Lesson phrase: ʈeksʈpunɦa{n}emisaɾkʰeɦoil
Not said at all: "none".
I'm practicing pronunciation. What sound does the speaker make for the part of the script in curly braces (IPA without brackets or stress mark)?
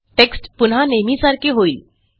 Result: n